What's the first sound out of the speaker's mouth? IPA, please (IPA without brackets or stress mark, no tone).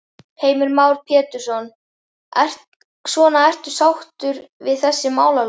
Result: h